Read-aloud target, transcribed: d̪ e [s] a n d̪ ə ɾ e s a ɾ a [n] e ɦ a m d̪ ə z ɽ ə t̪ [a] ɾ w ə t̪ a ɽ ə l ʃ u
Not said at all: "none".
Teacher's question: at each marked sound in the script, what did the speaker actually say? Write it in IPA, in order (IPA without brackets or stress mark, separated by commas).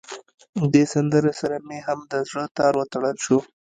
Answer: s, m, ɑ